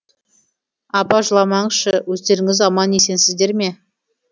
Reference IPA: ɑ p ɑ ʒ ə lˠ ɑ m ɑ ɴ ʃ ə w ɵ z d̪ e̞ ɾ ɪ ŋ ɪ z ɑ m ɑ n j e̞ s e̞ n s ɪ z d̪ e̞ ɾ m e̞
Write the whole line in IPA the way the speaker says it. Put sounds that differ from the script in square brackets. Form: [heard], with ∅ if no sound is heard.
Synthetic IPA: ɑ p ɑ ʒ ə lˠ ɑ m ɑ ɴ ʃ ə w ɵ z d̪ e̞ ɾ ɪ ŋ ɪ z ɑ m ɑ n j e̞ s e̞ n s ɪ z d̪ e̞ ɾ m e̞